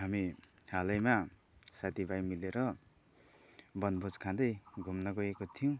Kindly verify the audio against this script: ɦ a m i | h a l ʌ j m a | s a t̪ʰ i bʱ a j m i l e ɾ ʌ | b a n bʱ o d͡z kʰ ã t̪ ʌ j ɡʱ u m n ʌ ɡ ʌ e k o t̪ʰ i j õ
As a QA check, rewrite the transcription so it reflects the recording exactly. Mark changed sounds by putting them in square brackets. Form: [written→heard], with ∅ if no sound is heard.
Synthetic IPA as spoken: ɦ a m i | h a l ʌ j m a | s a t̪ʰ i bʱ a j m i l e ɾ ʌ | b [a→ʌ] n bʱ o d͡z kʰ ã [t̪→d̪] ʌ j ɡʱ u m n ʌ ɡ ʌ e k o t̪ʰ i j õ